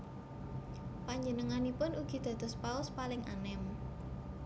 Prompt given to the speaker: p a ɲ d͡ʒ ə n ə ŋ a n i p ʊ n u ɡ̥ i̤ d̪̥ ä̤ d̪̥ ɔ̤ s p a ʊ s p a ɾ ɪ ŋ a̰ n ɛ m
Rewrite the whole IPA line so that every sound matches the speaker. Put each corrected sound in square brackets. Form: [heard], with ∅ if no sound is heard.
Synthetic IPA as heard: p a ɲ d͡ʒ ə n ə ŋ a n i p ʊ n u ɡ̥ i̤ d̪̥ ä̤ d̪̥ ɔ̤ s p a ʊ s p a [l] ɪ ŋ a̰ n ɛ m

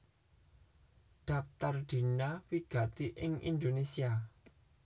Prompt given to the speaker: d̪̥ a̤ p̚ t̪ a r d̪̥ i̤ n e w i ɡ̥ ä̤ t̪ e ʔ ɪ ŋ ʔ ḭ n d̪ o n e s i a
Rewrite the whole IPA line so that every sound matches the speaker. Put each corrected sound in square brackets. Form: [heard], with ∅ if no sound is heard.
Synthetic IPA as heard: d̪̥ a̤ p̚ t̪ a r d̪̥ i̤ n [a] w i ɡ̥ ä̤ t̪ [i] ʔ ɪ ŋ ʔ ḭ n d̪ o n e s i a

